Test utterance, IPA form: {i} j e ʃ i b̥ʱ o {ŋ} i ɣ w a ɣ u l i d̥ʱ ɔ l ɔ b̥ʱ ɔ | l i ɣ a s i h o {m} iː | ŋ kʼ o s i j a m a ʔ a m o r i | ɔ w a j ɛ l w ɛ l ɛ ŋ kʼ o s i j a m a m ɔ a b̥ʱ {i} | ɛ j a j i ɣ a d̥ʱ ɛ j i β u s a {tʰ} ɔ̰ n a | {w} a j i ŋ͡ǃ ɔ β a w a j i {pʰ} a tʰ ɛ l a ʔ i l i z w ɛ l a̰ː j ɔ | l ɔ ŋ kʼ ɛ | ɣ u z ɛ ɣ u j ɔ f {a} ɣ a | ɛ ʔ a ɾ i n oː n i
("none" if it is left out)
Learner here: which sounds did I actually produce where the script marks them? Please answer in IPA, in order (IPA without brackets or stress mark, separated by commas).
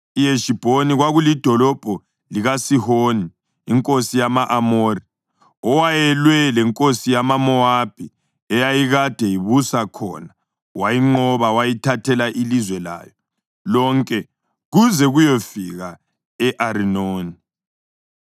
i, n, n, i, kʰ, w, tʰ, i